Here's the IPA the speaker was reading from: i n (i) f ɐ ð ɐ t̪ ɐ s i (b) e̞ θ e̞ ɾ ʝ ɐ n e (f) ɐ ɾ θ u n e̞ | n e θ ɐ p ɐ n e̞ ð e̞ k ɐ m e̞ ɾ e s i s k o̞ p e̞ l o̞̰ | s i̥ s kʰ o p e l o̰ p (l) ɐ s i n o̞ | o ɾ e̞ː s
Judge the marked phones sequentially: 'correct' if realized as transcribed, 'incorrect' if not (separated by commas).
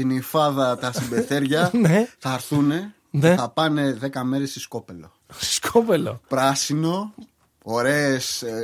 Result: correct, correct, incorrect, incorrect